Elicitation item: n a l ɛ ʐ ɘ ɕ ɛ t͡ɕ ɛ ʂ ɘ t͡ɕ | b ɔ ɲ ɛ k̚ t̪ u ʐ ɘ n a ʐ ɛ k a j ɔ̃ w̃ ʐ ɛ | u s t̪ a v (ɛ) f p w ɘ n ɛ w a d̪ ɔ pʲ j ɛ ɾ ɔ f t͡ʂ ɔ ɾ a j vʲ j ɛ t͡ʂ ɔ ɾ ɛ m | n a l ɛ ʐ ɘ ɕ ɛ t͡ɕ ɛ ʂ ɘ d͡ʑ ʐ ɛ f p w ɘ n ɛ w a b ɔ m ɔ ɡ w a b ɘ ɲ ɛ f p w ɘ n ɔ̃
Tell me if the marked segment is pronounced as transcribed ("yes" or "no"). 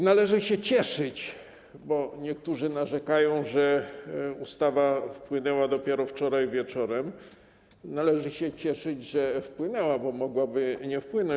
no